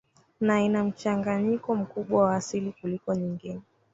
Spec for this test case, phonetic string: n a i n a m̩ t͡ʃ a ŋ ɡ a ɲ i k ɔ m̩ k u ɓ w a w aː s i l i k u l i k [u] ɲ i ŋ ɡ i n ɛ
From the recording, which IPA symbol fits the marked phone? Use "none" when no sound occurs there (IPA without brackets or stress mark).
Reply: ɔ